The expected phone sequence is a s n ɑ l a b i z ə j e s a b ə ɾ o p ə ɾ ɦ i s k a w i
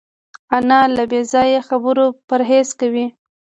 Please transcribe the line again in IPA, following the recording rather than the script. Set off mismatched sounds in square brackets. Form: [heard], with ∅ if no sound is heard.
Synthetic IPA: a [∅] n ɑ l a b [e] z [ɑ] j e [x] a b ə ɾ o p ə ɾ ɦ [e] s k a w i